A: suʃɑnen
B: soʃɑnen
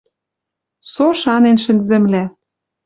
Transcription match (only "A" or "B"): B